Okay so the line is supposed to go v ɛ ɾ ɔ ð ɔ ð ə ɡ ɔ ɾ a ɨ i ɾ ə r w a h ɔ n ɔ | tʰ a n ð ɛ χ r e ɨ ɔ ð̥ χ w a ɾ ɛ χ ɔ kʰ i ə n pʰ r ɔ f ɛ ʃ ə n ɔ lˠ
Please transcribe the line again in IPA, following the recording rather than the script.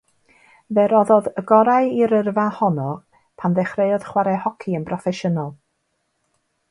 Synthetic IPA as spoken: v ɛ ɾ ɔ ð ɔ ð ə ɡ ɔ ɾ a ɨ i ɾ ə r v a h ɔ n ɔ | pʰ a n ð ɛ χ r e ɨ ɔ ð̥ χ w a ɾ ɛ h ɔ kʰ i ə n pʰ r ɔ f ɛ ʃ ə n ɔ lˠ